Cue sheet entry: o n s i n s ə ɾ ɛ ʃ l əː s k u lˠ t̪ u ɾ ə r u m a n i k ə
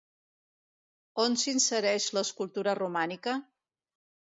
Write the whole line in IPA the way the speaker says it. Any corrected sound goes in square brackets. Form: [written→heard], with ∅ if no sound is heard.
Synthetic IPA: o n s i n s ə ɾ ɛ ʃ l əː s k u lˠ t̪ u ɾ ə r u m a n i k ə